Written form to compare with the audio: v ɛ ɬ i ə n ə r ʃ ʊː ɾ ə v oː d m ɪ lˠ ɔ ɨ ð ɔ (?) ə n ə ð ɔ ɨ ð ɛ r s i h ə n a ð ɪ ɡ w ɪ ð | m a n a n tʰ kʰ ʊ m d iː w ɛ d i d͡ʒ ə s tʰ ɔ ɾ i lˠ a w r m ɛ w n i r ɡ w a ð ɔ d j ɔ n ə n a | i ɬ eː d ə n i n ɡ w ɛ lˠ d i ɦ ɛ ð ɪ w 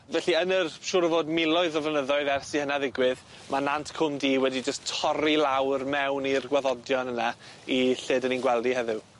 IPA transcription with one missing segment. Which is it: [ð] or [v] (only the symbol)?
v